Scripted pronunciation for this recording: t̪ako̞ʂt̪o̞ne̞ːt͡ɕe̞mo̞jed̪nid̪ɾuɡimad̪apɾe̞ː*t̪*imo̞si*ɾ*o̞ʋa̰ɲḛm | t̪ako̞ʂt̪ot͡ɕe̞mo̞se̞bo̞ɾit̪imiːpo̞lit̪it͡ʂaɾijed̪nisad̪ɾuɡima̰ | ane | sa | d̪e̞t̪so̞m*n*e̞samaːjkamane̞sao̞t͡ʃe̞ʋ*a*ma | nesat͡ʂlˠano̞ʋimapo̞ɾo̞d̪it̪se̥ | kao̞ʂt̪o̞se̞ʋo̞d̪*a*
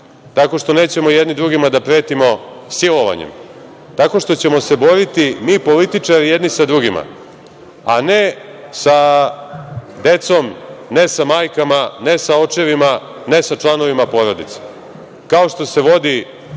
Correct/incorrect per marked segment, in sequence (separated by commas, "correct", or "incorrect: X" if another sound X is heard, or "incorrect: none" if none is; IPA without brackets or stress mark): correct, incorrect: l, correct, incorrect: i, incorrect: i